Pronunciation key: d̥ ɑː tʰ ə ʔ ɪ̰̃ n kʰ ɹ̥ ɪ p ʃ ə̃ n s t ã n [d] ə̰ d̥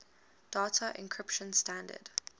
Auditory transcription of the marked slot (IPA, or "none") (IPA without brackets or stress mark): d